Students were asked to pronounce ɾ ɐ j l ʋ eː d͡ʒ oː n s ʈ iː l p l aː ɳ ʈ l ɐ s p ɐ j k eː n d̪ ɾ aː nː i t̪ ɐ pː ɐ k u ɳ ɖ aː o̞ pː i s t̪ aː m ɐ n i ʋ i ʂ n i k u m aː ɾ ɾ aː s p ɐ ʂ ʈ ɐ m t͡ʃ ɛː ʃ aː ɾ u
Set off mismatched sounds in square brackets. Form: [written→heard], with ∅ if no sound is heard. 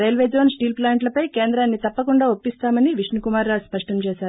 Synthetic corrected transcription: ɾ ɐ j l ʋ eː d͡ʒ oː n s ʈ iː l p l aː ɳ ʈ l ɐ [s→∅] p ɐ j k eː n d̪ ɾ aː nː i t̪ ɐ pː ɐ k u ɳ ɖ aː o̞ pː i s t̪ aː m ɐ n i ʋ i ʂ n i k u m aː ɾ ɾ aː s p ɐ ʂ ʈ ɐ m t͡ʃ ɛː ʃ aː ɾ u